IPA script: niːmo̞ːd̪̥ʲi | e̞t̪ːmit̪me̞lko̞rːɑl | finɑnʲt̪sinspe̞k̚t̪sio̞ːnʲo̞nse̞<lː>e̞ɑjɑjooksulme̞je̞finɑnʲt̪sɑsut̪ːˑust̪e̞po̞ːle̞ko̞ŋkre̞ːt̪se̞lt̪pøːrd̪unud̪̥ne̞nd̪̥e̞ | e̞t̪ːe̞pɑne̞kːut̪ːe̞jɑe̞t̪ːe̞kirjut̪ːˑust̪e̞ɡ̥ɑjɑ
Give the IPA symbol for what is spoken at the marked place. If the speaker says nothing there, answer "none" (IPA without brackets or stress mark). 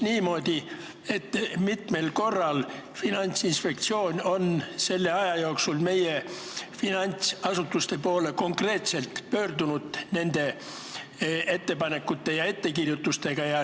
lː